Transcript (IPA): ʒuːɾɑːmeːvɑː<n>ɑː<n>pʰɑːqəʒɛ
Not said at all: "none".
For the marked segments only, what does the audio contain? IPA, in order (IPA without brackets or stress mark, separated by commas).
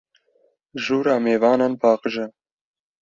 n, n